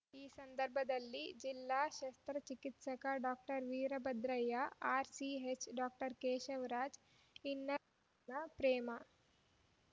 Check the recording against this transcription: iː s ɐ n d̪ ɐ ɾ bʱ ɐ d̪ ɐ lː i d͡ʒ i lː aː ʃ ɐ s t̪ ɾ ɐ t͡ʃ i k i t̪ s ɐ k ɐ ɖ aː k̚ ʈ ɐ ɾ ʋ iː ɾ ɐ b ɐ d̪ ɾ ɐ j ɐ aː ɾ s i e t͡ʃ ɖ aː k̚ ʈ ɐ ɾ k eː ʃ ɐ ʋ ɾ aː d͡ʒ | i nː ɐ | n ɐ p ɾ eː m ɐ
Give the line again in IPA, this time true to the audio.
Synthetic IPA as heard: iː s ɐ n d̪ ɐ ɾ bʱ ɐ d̪ ɐ lː i d͡ʒ i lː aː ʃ ɐ s t̪ ɾ ɐ t͡ʃ i k i t̪ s ɐ k ɐ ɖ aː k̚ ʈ ɐ ɾ ʋ iː ɾ ɐ b ɐ d̪ ɾ ɐ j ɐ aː ɾ s i e t͡ʃ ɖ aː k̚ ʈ ɐ ɾ k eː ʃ ɐ ʋ ɾ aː d͡ʒ | i nː ɐ | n ɐ p ɾ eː m ɐ